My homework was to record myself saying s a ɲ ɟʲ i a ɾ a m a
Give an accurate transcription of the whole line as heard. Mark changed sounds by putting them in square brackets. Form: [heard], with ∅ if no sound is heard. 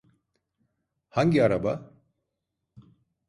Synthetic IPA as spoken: [h] a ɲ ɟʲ i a ɾ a [b] a